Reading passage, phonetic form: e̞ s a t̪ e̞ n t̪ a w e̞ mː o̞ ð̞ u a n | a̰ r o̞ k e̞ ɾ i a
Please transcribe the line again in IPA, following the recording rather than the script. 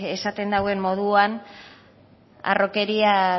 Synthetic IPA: e̞ s a t̪ e̞ n d̪ a w e̞ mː o̞ ð̞ u a n | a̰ r o̞ k e̞ ɾ i a